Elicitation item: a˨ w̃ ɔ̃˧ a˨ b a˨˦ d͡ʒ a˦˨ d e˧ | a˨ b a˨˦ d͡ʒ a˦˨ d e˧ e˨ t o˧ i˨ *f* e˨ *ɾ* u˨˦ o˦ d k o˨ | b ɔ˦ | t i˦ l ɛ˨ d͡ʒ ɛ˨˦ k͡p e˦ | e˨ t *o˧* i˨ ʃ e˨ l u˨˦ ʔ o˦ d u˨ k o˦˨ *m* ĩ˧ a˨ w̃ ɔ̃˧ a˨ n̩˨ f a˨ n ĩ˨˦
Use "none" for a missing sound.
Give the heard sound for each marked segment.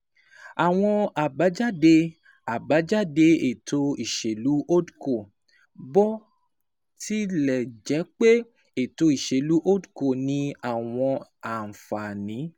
ʃ, l, o˧, n

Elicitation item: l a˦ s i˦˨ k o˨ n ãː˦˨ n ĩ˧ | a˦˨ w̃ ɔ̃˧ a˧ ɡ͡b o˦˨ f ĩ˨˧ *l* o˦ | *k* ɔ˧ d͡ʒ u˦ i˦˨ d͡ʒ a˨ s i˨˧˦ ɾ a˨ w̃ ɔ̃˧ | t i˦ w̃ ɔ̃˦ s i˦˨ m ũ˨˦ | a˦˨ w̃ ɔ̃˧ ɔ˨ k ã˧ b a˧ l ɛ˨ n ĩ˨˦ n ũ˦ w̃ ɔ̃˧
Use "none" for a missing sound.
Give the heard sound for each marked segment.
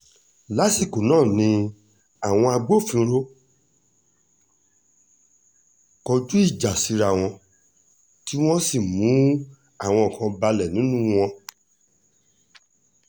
ɾ, k

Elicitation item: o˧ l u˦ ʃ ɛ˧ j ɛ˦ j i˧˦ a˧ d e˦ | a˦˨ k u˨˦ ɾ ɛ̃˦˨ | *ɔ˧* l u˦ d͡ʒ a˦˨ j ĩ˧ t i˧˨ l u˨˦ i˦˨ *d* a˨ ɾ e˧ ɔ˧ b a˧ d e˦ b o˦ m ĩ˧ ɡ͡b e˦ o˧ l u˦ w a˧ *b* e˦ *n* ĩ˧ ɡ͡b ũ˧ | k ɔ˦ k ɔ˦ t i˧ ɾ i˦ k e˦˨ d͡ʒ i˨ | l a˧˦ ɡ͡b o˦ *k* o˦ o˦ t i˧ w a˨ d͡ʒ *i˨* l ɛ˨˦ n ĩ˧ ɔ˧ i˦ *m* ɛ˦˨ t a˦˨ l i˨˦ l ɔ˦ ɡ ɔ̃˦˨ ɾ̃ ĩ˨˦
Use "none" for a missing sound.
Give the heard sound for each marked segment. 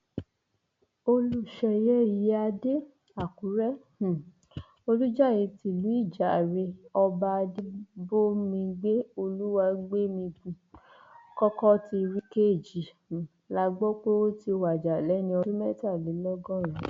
o˧, d͡ʒ, ɡ͡b, m, k͡p, a˨, m

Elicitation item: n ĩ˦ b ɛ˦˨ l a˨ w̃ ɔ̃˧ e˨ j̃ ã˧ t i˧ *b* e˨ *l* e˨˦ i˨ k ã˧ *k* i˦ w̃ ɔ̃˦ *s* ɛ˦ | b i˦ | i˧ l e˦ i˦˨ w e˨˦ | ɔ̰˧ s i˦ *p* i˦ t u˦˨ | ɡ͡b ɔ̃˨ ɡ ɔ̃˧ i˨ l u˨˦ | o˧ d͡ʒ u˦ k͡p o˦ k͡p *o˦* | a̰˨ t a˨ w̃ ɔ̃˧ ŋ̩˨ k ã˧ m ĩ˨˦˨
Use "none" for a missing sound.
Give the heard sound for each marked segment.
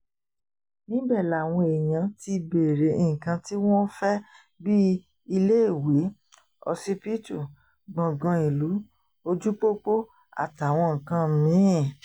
b, ɾ, t, f, p, o˦

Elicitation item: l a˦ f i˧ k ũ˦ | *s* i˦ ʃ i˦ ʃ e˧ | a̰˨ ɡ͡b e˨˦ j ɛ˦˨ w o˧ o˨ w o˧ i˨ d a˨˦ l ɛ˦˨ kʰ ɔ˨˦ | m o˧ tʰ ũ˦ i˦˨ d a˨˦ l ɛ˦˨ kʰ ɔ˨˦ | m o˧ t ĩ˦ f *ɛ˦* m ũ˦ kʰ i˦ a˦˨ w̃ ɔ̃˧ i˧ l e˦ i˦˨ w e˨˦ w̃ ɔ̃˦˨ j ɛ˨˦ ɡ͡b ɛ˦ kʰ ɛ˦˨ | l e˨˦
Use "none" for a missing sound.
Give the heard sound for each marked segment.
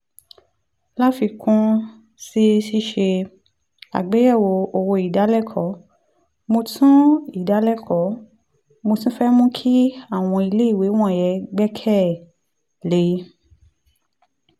s, ɛ˦

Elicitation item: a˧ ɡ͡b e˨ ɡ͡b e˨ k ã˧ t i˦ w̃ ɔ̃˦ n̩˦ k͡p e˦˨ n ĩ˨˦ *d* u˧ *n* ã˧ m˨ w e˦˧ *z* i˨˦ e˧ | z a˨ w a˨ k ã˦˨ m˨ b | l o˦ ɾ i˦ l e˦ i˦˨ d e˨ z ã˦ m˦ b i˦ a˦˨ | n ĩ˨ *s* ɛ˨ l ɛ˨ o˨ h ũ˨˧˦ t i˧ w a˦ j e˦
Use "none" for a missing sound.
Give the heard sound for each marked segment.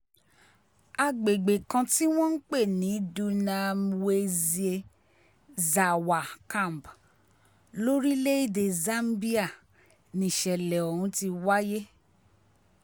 d, n, z, ʃ

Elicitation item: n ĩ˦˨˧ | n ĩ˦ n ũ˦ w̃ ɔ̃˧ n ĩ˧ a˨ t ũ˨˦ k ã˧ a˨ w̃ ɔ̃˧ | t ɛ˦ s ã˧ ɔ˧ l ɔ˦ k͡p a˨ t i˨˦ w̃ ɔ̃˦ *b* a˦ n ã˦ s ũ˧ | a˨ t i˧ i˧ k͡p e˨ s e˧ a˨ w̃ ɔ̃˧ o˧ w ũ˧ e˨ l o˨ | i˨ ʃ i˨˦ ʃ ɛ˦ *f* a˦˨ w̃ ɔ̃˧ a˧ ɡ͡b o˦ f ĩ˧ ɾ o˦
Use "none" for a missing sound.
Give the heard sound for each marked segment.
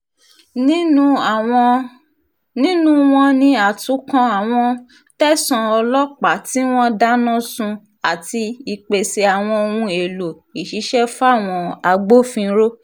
d, f

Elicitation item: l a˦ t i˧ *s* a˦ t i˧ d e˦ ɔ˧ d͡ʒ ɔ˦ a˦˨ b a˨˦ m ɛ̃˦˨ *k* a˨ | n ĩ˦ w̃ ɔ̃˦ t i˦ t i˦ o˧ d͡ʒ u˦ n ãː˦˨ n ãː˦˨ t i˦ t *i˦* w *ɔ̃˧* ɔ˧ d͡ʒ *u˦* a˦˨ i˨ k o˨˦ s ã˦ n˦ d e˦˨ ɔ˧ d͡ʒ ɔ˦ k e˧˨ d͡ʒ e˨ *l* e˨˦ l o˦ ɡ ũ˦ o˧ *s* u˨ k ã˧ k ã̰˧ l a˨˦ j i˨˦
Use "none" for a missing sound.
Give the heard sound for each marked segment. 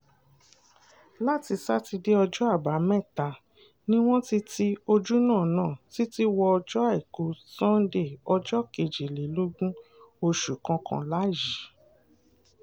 s, t, i˦, ɔ˧, ɔ˦, l, ʃ

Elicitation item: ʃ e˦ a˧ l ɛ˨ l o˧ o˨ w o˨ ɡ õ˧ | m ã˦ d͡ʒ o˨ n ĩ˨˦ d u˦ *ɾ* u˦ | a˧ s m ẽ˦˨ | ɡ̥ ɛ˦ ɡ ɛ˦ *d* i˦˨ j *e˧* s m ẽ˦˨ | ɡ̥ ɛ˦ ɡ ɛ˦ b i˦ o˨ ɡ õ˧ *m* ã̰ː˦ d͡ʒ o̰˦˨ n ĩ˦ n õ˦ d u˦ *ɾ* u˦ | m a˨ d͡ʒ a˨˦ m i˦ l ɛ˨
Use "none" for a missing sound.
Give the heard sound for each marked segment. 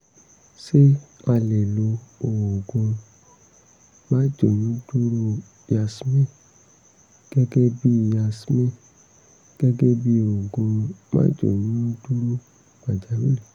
ɾ, b, a˧, m, ɾ

